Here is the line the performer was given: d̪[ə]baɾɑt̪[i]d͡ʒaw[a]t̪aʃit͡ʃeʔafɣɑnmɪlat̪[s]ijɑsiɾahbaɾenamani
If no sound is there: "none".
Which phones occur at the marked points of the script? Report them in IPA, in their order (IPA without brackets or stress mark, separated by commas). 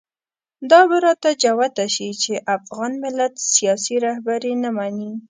ɑ, a, a, s